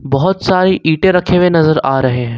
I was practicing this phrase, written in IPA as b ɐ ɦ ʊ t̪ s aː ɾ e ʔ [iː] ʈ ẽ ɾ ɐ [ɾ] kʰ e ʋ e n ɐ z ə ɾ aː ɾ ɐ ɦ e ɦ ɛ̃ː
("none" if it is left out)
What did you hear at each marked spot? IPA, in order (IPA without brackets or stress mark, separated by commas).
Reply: iː, none